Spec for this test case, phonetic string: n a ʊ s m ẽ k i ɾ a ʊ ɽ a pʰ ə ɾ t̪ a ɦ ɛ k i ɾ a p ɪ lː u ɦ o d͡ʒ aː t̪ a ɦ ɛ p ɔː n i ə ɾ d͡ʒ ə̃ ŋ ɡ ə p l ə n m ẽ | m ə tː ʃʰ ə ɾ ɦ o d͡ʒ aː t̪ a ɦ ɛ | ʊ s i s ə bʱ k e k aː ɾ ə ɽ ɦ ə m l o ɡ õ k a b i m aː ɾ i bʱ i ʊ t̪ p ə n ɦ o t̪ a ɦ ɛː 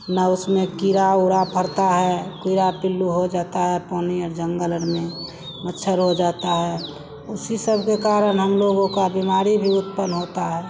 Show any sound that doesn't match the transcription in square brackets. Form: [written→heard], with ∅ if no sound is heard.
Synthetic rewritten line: n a ʊ s m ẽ k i ɾ a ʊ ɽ a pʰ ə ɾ t̪ a ɦ ɛ k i ɾ a p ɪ lː u ɦ o d͡ʒ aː t̪ a ɦ ɛ p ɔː n i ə ɾ d͡ʒ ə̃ ŋ ɡ ə [p→∅] l ə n m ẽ | m ə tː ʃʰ ə ɾ ɦ o d͡ʒ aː t̪ a ɦ ɛ | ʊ s i s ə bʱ k e k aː ɾ ə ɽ ɦ ə m l o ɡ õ k a b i m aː ɾ i bʱ i ʊ t̪ p ə n ɦ o t̪ a ɦ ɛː